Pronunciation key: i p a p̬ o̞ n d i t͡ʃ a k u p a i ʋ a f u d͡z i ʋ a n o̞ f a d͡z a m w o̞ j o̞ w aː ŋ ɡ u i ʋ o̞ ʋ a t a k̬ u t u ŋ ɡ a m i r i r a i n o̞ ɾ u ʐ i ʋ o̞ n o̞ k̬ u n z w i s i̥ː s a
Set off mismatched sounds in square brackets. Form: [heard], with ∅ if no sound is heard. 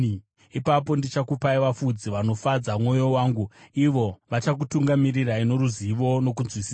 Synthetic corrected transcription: i p a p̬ o̞ n d i t͡ʃ a k u p a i ʋ a f u d͡z i ʋ a n o̞ f a d͡z a m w o̞ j o̞ w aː ŋ ɡ u i ʋ o̞ ʋ a [t͡ʃ] a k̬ u t u ŋ ɡ a m i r i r a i n o̞ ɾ u [z] i ʋ o̞ n o̞ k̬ u n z w i s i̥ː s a